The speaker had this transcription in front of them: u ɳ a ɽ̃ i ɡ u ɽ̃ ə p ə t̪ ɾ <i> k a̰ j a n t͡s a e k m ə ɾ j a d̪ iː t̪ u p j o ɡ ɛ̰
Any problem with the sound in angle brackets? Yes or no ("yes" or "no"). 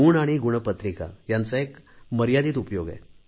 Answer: no